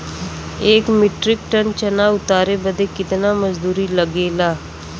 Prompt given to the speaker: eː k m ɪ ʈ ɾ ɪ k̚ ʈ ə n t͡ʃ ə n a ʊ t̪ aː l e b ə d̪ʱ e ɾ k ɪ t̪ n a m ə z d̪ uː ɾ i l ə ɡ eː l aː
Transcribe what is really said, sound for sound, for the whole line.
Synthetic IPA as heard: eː k m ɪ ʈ ɾ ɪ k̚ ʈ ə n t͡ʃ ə n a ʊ t̪ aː ɾ e b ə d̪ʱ e k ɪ t̪ n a m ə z d̪ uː ɾ i l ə ɡ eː l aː